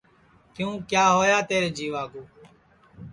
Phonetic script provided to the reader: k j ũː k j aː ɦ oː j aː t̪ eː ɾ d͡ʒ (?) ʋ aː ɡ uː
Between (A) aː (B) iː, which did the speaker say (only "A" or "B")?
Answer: B